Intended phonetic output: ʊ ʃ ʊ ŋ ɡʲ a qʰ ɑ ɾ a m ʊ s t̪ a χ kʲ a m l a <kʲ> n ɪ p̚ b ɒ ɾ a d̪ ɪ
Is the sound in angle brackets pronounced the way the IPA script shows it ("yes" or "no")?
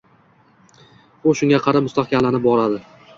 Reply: no